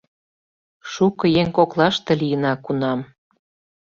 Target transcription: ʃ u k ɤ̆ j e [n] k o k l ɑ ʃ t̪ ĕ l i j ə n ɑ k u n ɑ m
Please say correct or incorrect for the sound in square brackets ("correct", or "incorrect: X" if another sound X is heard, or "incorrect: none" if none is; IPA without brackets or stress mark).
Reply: incorrect: ŋ